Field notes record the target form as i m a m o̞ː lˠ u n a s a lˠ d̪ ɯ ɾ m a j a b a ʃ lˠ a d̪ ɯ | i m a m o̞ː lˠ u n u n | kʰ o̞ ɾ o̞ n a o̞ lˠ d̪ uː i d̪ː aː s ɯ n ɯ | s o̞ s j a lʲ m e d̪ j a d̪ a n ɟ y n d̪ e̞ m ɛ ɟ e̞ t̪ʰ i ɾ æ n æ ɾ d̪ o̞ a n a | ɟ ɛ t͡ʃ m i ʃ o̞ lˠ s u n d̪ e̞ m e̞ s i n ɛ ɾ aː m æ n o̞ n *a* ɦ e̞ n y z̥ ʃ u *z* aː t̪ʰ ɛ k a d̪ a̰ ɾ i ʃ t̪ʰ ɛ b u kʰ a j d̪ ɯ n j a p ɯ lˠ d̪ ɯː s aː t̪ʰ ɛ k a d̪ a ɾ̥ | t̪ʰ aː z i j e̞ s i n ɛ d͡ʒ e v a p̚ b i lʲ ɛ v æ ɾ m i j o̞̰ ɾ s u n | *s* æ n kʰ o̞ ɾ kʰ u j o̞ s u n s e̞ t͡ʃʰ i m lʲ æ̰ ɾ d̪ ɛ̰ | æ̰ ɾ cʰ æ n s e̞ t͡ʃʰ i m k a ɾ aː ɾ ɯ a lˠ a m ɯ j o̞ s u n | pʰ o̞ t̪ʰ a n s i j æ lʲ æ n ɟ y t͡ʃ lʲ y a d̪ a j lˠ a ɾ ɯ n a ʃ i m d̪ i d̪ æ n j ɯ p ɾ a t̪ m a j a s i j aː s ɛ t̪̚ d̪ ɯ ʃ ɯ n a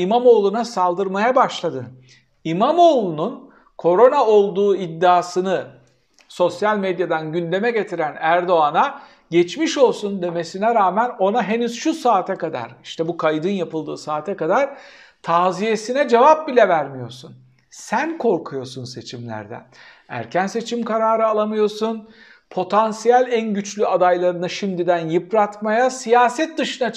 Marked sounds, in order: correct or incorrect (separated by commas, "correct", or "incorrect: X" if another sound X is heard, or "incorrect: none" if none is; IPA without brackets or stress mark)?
correct, incorrect: s, correct